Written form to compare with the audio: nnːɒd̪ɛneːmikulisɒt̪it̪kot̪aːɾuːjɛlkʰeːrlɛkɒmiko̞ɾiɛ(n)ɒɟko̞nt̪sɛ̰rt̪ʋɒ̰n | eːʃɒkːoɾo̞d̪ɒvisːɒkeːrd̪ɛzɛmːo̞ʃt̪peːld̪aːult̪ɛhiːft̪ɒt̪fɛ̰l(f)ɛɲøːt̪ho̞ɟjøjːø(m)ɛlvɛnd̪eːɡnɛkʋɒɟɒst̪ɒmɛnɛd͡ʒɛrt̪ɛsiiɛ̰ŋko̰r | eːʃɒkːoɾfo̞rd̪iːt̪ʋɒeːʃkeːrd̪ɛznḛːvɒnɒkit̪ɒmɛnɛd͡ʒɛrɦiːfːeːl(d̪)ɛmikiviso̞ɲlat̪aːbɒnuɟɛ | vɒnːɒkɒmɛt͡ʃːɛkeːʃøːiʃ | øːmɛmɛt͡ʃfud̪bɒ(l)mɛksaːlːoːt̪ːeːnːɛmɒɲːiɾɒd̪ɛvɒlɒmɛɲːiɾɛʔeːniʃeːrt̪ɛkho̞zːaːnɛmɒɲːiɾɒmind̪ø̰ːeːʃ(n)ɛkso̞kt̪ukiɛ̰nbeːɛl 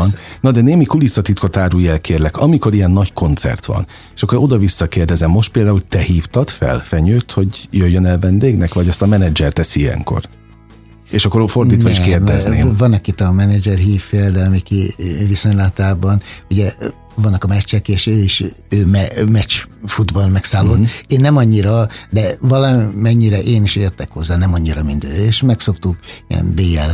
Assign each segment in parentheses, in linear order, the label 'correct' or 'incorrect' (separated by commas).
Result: incorrect, correct, incorrect, correct, correct, incorrect